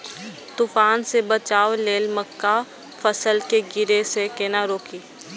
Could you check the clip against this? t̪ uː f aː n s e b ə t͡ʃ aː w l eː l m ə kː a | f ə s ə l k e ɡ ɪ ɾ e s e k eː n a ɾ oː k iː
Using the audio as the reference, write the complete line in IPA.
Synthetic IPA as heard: t̪ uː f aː n s e b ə t͡ʃ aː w l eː l m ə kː a | f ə s ə l k e ɡ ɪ ɾ e s e k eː n a ɾ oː k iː